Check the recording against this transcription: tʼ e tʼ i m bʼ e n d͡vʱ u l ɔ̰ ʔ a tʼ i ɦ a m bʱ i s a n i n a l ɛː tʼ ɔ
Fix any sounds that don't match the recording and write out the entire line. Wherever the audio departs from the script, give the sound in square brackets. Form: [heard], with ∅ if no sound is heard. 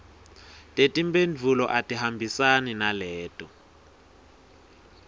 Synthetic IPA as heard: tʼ e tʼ i m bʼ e n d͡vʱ u l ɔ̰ ʔ a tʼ i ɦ a m bʱ i s a n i n a l ɛː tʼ ɔ